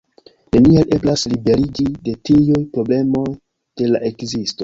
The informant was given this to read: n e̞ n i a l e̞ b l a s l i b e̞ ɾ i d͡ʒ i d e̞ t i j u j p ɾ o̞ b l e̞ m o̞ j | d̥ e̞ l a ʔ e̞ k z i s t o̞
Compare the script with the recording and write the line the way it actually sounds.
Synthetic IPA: n e̞ n i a l e̞ b l a s l i b e̞ ɾ i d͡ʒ i d e̞ t i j u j p ɾ o̞ b l e̞ m o̞ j | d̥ e̞ l a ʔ e̞ k z i s t o̞